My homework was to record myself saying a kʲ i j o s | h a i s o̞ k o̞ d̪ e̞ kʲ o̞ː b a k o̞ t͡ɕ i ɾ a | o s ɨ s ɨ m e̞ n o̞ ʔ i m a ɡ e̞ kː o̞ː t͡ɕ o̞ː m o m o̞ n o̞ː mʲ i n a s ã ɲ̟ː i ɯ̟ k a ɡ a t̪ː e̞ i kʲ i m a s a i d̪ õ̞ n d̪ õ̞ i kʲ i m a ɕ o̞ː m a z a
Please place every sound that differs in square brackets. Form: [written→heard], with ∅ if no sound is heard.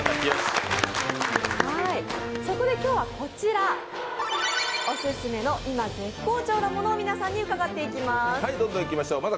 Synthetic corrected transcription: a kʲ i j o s | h a i s o̞ k o̞ d̪ e̞ kʲ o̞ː [b→β] a k o̞ t͡ɕ i ɾ a | o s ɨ s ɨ m e̞ n o̞ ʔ i m a ɡ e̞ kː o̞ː t͡ɕ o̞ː [m→n] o m o̞ n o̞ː mʲ i n a s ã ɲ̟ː i ɯ̟ k a ɡ a t̪ː e̞ i kʲ i m a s a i d̪ õ̞ n d̪ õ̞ i kʲ i m a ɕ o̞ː m a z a